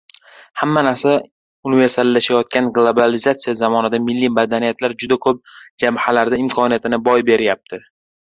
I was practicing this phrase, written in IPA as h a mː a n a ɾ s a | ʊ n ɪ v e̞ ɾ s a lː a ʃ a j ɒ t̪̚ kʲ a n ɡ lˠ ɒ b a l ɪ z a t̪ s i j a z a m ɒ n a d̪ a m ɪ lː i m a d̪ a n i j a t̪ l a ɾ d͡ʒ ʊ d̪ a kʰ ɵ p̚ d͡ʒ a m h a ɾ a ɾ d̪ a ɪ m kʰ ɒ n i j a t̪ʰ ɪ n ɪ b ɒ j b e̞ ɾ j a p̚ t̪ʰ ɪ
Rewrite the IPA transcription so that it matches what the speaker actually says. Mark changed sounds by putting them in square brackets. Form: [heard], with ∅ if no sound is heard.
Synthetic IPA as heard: h a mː a n a ɾ s a | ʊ n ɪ v e̞ ɾ s a lː a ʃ a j ɒ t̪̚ kʲ a n ɡ lˠ [o] b a l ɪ z a t̪ s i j a z a m ɒ n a d̪ a m ɪ lː i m a d̪ a n i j a t̪ l a ɾ d͡ʒ ʊ d̪ a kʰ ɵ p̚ d͡ʒ a m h a [l] a ɾ d̪ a ɪ m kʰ ɒ n i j a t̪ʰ ɪ n ɪ b ɒ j b e̞ ɾ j a p̚ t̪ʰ ɪ

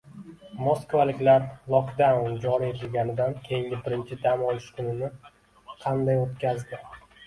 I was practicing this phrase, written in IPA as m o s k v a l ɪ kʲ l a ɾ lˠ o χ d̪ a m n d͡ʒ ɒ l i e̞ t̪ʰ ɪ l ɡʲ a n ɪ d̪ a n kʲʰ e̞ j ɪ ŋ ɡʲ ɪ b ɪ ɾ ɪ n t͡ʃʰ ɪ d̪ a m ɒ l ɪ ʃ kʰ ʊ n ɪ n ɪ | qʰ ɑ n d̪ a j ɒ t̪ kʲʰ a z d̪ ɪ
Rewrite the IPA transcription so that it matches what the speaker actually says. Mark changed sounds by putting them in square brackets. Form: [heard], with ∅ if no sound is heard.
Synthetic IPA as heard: m o s k v a l ɪ kʲ l a ɾ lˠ [ɒ] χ d̪ a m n d͡ʒ ɒ [ɾ] i e̞ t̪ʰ ɪ l ɡʲ a n ɪ d̪ a n kʲʰ e̞ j ɪ ŋ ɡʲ ɪ b ɪ ɾ ɪ n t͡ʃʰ ɪ d̪ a m ɒ l ɪ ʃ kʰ ʊ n ɪ n ɪ | qʰ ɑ n d̪ a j [o] t̪ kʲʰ a z d̪ ɪ

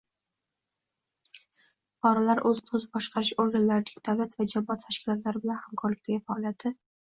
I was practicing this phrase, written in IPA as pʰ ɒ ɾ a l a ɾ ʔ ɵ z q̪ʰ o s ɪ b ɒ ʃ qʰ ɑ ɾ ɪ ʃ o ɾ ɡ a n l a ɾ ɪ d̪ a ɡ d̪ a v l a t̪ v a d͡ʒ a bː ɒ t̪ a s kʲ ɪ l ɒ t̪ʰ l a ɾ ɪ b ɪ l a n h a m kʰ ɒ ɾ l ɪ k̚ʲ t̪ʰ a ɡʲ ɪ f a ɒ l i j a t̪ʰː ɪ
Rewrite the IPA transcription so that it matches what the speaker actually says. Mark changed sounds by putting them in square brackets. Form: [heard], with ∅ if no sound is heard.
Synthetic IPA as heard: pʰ ɒ ɾ a l a ɾ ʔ ɵ z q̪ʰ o [z] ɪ b ɒ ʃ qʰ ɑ ɾ ɪ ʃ o ɾ ɡ a n l a ɾ ɪ d̪ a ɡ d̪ a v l a t̪ v a d͡ʒ a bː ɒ [t̪ʰ] a [ʃ] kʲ ɪ l ɒ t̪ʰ l a ɾ ɪ b ɪ l a n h a m kʰ ɒ ɾ l ɪ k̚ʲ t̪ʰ a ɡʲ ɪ f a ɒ l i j a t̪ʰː ɪ

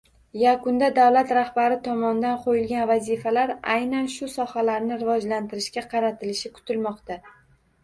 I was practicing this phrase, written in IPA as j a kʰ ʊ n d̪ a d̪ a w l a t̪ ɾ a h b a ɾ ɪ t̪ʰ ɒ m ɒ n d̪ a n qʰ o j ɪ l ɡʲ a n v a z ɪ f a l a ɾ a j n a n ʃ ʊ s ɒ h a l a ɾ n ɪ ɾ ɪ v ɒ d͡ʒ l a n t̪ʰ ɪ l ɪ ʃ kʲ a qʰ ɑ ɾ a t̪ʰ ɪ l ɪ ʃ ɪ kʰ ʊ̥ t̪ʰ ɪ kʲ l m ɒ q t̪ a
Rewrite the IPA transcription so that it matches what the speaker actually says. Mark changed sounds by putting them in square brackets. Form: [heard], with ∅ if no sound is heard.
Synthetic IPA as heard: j a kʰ ʊ n d̪ a d̪ a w l a t̪ ɾ a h b a ɾ ɪ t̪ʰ ɒ m ɒ n d̪ a n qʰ o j ɪ l ɡʲ a n v a z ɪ f a l a ɾ a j n a n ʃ ʊ s ɒ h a l a ɾ n ɪ ɾ ɪ v ɒ d͡ʒ l a n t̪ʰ ɪ [ɾ] ɪ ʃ kʲ a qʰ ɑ ɾ a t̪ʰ ɪ l ɪ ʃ ɪ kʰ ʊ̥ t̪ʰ ɪ [∅] l m ɒ q t̪ a

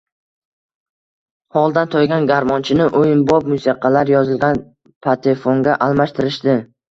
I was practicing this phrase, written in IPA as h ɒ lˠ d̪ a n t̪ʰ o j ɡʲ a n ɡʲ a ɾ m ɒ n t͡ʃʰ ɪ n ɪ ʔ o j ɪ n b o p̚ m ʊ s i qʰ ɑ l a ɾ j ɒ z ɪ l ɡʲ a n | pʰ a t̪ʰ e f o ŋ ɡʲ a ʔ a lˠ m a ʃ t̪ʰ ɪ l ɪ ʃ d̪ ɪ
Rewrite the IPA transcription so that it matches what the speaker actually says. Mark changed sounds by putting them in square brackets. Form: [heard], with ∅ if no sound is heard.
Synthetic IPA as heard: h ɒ lˠ d̪ a n t̪ʰ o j ɡʲ a n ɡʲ a ɾ m ɒ n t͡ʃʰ ɪ n ɪ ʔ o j ɪ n b [ɒ] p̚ m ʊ s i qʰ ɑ l a ɾ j ɒ z ɪ l ɡʲ a n | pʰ a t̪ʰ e f o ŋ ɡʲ a ʔ a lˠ m a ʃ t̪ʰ ɪ [ɾ] ɪ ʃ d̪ ɪ

